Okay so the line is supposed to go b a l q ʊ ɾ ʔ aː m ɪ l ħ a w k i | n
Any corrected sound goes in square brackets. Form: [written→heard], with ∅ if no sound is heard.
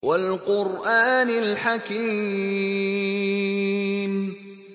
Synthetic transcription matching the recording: [b→w] a l q ʊ ɾ ʔ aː [m→n] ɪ l ħ a [w→∅] k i | [n→m]